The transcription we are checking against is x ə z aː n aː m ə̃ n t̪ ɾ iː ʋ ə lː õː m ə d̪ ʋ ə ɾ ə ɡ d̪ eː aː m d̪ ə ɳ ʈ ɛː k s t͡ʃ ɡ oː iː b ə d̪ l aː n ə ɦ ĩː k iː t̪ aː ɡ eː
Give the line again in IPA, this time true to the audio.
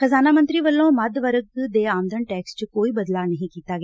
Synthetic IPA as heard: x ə z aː n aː m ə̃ n t̪ ɾ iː ʋ ə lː õː m ə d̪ ʋ ə ɾ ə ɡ d̪ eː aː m d̪ ə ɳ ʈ ɛː k s t͡ʃ k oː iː b ə d̪ l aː n ə ɦ ĩː k iː t̪ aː ɡ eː